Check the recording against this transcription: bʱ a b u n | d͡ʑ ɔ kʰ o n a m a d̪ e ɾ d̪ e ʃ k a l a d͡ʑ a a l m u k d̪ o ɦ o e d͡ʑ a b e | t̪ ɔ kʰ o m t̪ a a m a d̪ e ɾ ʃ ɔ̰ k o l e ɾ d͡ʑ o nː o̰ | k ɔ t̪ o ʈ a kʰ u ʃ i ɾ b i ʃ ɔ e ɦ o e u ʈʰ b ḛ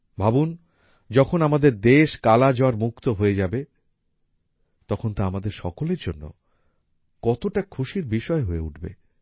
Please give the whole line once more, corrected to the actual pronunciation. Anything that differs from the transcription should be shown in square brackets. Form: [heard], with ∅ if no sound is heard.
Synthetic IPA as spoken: bʱ a b u n | d͡ʑ ɔ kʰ o n a m a d̪ e ɾ d̪ e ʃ k a l a d͡ʑ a a [ɾ] m u k [t̪] o ɦ o e d͡ʑ a b e | t̪ ɔ kʰ o [n] t̪ a a m a d̪ e ɾ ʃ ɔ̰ k o l e ɾ d͡ʑ o nː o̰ | k ɔ t̪ o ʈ a kʰ u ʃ i ɾ b i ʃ ɔ e ɦ o e u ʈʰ b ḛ

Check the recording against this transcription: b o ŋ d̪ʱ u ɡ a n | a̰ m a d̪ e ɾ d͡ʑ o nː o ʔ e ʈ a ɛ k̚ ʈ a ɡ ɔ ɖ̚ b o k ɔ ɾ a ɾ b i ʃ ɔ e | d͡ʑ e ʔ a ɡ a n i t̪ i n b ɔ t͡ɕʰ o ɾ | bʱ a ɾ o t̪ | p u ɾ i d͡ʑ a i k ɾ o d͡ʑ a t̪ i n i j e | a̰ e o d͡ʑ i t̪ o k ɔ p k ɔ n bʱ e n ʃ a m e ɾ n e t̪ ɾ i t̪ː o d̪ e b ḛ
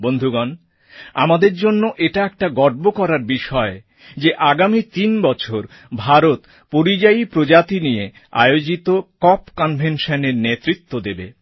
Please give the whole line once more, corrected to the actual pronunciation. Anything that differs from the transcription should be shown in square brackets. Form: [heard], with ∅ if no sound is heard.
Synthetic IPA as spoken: b o [n] d̪ʱ u ɡ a n | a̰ m a d̪ e ɾ d͡ʑ o nː o ʔ e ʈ a ɛ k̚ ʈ a ɡ ɔ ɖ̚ b o k ɔ ɾ a ɾ b i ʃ ɔ e | d͡ʑ e ʔ a ɡ a [m] i t̪ i n b ɔ t͡ɕʰ o ɾ | bʱ a ɾ o t̪ | p [o] ɾ i d͡ʑ a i [p] ɾ o d͡ʑ a t̪ i n i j e | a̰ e o d͡ʑ i t̪ o k ɔ p k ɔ n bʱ e n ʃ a [n] e ɾ n e t̪ ɾ i t̪ː o d̪ e b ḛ

